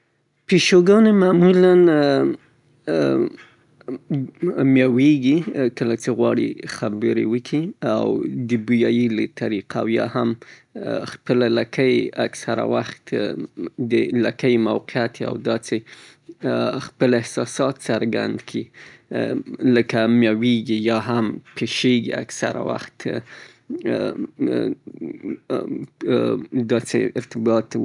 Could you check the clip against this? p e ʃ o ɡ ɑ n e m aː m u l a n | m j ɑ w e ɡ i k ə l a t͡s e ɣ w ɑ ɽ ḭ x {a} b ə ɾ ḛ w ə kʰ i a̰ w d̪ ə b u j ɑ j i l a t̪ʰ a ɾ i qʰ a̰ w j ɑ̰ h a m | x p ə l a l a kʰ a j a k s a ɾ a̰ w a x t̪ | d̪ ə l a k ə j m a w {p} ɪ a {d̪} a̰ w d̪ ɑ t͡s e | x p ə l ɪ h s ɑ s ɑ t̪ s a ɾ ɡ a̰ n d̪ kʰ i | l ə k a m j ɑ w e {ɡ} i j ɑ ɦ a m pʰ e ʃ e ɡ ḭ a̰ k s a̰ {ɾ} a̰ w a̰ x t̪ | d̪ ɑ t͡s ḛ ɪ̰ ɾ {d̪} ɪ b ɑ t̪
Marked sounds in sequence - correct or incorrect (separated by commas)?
correct, incorrect, incorrect, correct, correct, incorrect